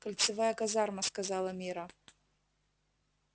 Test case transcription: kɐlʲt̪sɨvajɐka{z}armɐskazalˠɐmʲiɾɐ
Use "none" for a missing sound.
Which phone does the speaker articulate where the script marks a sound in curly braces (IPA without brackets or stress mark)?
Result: z